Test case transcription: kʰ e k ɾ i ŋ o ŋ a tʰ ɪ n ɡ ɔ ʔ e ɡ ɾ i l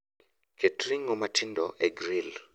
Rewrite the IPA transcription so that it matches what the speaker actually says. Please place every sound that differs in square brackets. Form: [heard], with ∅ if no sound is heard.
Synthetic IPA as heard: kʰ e [t] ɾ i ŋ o [m] a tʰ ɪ n [d] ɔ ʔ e ɡ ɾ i l